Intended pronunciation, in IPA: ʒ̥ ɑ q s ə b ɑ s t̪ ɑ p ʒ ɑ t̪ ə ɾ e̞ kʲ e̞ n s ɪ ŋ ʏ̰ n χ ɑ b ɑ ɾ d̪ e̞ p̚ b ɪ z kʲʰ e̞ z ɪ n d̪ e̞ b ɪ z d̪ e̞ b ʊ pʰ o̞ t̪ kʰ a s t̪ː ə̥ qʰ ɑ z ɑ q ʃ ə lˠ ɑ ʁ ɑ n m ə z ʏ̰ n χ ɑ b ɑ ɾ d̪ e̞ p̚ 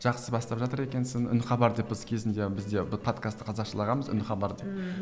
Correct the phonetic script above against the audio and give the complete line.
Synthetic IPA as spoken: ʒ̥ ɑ q s ə b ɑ s t̪ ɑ p ʒ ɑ t̪ ə ɾ e̞ kʲ e̞ n s ɪ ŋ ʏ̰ n χ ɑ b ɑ ɾ d̪ e̞ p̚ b ɪ z kʲʰ e̞ z ɪ n d̪ e̞ b ɪ z d̪ e̞ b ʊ pʰ o̞ t̪ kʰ a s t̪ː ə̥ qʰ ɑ z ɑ q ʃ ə lˠ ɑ ʁ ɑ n m ə z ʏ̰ n χ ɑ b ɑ ɾ d̪ e̞ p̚